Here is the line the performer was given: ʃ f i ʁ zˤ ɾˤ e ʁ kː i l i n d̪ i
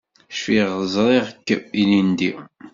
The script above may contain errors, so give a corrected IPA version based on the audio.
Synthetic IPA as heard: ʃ f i ʁ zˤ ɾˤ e ʁ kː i l i n d̪ i

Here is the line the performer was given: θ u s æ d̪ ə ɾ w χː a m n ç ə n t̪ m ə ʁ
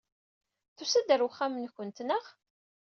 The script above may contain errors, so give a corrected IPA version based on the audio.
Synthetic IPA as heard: θ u s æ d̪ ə ɾ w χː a m n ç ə n t̪ n ə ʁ

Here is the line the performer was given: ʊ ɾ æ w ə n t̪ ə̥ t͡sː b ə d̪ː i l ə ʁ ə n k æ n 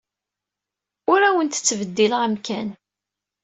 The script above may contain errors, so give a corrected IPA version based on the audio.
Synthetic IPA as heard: ʊ ɾ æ w ə n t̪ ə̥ t͡sː v ə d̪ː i l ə ʁ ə m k æ n

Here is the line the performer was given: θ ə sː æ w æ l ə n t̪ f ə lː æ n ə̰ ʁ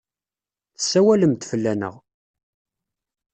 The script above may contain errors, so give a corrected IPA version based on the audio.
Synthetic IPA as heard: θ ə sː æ w æ l ə m t̪ f ə lː æ n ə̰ ʁ

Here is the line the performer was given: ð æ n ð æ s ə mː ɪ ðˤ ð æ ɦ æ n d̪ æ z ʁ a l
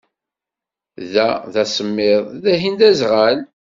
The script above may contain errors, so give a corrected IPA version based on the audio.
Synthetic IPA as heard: ð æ ð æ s ə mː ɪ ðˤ ð æ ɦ i n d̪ æ z ʁ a l

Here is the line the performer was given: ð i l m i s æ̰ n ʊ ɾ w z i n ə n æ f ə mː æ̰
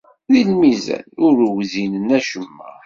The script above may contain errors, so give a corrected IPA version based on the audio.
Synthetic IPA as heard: ð i l m i z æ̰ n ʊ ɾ w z i n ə n æ ʃ ə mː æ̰

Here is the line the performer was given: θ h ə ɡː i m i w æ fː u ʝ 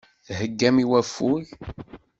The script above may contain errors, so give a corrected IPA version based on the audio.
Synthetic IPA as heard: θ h ə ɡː æ m i w æ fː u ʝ

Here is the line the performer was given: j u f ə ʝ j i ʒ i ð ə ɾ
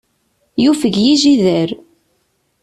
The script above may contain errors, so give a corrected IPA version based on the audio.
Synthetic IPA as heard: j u f ə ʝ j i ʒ i ð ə ɾ

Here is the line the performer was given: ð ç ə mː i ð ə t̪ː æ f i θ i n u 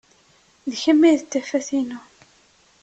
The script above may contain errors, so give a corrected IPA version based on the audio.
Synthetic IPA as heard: ð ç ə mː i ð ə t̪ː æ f æ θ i n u

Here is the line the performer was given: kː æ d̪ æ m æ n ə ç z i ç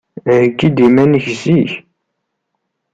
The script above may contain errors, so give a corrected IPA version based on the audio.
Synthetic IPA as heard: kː i d̪ i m æ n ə ç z i ç

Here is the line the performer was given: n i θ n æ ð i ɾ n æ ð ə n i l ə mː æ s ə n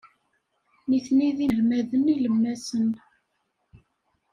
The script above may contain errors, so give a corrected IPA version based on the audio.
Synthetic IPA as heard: n i θ n i ð i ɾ m æ ð ə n i l ə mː æ s ə n

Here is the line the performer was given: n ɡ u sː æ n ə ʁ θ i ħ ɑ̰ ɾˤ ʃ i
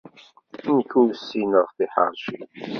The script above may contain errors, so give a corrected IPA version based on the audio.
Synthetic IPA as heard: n k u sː i n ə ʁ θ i ħ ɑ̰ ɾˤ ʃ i

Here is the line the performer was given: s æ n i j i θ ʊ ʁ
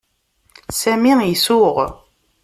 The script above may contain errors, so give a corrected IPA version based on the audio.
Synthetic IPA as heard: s æ m i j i s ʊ ʁ

